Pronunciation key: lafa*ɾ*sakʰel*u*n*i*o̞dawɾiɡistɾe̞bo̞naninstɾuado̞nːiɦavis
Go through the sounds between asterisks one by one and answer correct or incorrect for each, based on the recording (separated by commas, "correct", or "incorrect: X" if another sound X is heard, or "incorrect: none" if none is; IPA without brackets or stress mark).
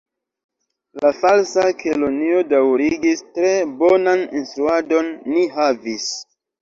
incorrect: l, incorrect: o, correct